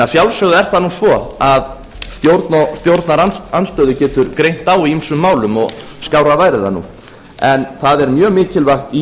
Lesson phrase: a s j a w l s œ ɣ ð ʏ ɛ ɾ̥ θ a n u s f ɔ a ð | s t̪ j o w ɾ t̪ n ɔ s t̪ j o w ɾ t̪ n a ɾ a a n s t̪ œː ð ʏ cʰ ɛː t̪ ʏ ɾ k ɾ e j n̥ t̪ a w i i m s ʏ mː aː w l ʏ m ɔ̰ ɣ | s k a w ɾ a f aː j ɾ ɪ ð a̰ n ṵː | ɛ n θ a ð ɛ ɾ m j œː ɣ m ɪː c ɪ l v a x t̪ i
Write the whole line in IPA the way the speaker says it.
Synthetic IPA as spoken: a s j a w l s œ ɣ ð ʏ ɛ ɾ̥ θ a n u s v ɔ a ð | s t̪ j o w ɾ t̪ n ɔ s t̪ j o w ɾ t̪ n a ɾ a a n s t̪ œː ð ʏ c ɛː t̪ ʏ ɾ k ɾ e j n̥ t̪ a w i i m s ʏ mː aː w l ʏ m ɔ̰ ɣ | s k a w ɾ a v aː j ɾ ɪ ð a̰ n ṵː | ɛ n θ a ð ɛ ɾ m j œː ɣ m ɪː c ɪ l v a x t̪ i